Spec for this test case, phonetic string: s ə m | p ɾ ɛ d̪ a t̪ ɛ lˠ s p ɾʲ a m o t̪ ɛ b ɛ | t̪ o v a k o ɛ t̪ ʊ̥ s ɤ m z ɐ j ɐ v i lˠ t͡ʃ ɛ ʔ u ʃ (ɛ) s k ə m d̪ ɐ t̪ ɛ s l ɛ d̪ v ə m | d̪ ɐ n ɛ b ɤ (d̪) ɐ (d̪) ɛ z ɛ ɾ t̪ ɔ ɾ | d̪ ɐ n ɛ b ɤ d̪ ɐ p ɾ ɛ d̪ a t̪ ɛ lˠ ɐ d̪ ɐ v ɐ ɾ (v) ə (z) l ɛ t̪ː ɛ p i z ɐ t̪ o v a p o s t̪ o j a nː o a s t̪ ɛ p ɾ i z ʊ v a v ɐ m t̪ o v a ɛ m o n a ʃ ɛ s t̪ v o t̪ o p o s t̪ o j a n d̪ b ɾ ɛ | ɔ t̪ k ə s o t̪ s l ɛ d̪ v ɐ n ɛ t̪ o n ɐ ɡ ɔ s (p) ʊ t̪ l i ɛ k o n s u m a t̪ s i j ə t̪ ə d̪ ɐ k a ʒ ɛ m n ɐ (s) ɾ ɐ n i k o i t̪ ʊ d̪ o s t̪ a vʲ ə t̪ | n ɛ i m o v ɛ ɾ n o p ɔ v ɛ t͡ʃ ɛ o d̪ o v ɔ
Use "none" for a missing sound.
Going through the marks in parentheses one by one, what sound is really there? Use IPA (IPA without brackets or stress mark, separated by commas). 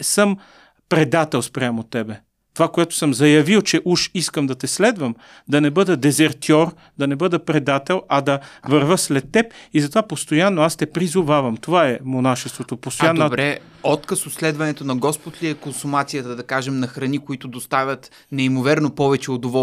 i, d̪, d̪, v, s, p, x